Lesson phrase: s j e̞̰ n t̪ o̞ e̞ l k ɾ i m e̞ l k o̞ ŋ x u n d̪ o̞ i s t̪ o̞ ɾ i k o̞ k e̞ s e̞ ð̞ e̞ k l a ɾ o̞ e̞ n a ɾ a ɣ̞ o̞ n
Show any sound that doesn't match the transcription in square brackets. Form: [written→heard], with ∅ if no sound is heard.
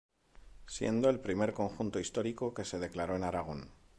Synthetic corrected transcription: s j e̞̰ n [t̪→d̪] o̞ e̞ l [k→p] ɾ i m e̞ [l→ɾ] k o̞ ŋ x u n [d̪→t̪] o̞ i s t̪ o̞ ɾ i k o̞ k e̞ s e̞ ð̞ e̞ k l a ɾ o̞ e̞ n a ɾ a ɣ̞ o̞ n